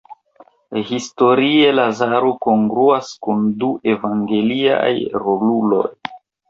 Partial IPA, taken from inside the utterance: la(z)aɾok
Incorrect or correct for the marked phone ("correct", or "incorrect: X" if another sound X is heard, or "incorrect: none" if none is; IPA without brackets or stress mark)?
correct